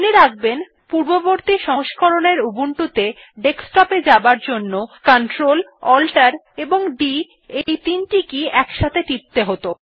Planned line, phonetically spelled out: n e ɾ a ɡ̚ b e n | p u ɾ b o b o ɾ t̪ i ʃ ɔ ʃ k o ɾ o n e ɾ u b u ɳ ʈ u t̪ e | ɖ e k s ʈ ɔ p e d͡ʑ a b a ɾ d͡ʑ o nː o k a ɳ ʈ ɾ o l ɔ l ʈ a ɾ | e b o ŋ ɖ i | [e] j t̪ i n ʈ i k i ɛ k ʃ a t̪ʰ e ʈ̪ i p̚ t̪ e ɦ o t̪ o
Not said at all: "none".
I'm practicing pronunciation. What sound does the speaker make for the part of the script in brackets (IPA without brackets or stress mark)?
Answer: e